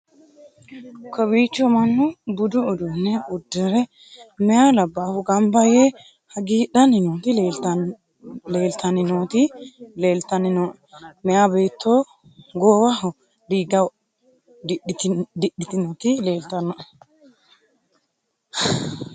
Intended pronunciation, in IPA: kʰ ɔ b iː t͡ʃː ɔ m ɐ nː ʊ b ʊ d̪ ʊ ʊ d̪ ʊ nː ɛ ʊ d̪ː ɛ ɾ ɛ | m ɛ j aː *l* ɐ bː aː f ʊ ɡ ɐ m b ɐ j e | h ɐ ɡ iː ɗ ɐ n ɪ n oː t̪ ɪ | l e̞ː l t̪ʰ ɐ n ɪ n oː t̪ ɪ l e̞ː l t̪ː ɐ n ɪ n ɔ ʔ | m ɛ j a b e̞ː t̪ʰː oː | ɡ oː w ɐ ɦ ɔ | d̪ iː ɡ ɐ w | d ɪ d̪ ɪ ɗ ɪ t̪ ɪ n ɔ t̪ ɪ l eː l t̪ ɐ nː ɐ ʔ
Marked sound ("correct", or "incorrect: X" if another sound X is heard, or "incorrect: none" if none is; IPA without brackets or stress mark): correct